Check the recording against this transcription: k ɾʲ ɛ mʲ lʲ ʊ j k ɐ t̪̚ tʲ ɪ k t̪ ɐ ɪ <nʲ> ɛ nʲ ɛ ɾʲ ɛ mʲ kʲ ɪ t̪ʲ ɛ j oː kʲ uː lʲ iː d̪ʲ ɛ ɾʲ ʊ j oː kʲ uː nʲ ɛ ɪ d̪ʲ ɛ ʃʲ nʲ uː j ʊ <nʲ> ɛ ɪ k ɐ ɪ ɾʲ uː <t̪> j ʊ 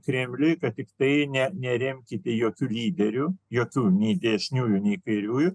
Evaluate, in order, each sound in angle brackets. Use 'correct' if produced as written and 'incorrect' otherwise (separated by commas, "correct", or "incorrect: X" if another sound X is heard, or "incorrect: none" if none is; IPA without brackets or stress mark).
correct, correct, incorrect: none